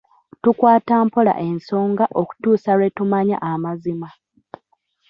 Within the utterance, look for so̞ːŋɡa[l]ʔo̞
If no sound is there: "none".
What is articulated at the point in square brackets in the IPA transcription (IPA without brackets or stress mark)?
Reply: none